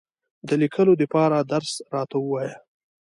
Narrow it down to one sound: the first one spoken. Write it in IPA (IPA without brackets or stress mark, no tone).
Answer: d̪